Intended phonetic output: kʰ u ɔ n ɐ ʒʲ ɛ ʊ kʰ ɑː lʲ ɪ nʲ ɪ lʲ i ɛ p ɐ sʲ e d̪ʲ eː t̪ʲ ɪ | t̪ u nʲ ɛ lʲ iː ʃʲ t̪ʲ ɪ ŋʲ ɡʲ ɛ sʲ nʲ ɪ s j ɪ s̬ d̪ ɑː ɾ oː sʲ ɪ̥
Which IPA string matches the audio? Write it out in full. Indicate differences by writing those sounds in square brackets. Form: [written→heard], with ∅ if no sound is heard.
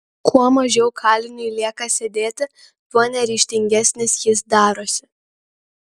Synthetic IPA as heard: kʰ u ɔ [n→m] ɐ ʒʲ ɛ ʊ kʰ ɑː lʲ ɪ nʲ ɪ lʲ i ɛ [p→k] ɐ sʲ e d̪ʲ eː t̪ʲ ɪ | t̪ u nʲ ɛ [lʲ→ɾʲ] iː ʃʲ t̪ʲ ɪ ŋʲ ɡʲ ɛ sʲ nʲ ɪ s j ɪ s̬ d̪ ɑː ɾ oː sʲ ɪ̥